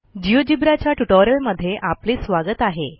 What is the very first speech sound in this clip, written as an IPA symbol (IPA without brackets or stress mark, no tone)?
d͡ʑ